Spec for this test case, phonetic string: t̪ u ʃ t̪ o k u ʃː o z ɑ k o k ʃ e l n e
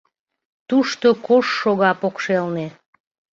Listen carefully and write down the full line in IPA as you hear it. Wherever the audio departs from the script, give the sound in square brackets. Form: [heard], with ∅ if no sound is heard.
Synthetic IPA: t̪ u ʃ t̪ o k [o] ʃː o [ɣ] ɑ [p] o k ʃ e l n e